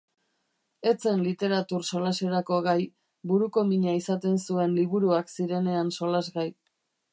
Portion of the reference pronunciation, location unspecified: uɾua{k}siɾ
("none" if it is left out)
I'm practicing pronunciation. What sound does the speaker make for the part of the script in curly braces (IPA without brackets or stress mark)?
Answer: k